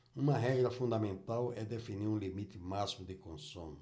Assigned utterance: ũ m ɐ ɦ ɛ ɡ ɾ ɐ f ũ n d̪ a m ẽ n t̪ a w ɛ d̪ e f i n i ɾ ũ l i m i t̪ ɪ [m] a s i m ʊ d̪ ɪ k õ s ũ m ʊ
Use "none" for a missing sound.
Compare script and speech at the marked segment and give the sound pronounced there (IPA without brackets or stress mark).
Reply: m